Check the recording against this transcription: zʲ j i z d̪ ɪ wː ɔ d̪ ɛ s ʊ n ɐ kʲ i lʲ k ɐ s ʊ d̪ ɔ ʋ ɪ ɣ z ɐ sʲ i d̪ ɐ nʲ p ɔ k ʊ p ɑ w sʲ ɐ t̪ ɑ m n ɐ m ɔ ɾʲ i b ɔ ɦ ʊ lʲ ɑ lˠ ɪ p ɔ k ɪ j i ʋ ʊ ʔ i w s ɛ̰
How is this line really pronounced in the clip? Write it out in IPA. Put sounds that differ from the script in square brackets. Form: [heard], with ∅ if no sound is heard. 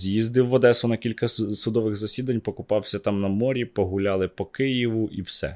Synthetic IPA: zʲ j i z d̪ ɪ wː ɔ d̪ ɛ s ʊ n ɐ kʲ i lʲ k ɐ s ʊ d̪ ɔ ʋ ɪ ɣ z ɐ sʲ i d̪ ɐ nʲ p ɔ k ʊ p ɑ w sʲ ɐ t̪ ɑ m n ɐ m ɔ ɾʲ i [p] ɔ ɦ ʊ lʲ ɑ lˠ ɪ p ɔ k ɪ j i ʋ ʊ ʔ i w s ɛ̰